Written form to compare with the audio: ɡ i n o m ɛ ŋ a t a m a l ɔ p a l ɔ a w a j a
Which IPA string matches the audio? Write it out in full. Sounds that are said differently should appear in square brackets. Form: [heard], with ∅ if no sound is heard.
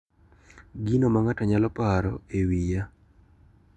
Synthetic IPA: ɡ i n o m [a] ŋ a t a [ɲ] a l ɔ p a [ɾ] ɔ [e] w [i] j a